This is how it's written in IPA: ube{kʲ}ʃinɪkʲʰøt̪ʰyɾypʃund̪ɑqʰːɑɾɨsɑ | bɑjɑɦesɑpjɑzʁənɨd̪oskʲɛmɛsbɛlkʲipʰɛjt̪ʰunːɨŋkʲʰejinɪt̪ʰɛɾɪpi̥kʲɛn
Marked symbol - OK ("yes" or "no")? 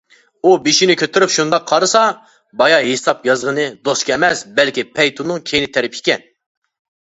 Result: no